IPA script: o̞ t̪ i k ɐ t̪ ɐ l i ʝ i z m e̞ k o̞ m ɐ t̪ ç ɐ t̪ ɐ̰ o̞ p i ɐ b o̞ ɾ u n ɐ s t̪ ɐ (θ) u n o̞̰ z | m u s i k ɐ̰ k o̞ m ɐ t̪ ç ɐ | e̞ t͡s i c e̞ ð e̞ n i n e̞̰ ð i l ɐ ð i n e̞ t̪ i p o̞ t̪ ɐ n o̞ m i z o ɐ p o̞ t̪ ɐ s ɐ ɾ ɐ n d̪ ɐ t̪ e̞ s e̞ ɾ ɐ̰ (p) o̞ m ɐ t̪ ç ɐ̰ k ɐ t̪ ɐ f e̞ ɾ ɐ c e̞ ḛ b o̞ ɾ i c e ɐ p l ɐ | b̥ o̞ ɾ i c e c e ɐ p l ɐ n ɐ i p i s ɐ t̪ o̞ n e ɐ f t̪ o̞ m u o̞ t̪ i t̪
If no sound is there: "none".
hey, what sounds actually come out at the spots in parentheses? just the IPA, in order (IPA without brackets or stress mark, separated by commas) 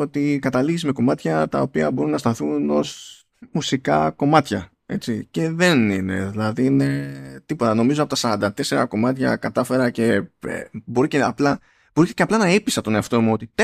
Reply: θ, k